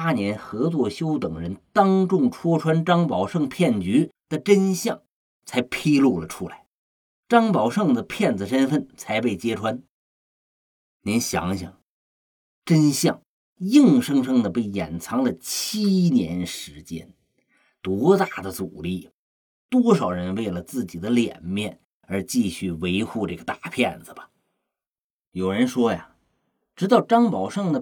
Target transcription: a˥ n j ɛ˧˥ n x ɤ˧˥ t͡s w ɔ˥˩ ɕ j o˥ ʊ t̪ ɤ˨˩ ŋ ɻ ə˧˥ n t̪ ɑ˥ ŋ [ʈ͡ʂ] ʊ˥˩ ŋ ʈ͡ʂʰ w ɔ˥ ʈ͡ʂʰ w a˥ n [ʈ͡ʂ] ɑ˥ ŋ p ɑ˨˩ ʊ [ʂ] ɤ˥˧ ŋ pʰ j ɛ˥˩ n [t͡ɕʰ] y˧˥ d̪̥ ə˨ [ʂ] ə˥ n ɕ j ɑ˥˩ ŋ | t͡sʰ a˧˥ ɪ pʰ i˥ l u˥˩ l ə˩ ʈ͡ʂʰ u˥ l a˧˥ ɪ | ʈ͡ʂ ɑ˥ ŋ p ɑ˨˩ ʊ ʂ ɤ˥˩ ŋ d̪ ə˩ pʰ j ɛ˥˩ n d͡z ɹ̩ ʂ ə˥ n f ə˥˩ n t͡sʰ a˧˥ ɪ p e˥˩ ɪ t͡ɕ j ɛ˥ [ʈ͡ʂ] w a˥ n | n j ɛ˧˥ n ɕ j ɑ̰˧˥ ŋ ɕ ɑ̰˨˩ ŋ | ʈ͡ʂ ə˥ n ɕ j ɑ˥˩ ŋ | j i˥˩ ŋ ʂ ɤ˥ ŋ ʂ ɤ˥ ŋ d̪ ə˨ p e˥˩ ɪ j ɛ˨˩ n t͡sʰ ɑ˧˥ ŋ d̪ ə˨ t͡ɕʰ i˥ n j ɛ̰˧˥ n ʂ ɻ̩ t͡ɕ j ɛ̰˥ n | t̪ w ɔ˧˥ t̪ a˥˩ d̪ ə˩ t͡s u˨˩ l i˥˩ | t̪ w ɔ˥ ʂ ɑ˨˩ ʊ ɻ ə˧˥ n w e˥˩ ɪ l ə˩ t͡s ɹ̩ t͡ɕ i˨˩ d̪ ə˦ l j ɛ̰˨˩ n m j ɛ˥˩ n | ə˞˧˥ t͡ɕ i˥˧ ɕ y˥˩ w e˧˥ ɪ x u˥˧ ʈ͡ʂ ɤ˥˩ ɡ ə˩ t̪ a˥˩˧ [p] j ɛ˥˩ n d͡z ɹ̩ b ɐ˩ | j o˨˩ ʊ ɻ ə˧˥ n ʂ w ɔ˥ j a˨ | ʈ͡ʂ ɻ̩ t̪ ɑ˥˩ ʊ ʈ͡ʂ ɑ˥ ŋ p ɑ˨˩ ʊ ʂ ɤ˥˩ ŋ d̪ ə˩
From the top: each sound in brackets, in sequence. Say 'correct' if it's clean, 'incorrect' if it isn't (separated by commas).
correct, correct, correct, incorrect, incorrect, incorrect, incorrect